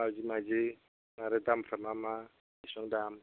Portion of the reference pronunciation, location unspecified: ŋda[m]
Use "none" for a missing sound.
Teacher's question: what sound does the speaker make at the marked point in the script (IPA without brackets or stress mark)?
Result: m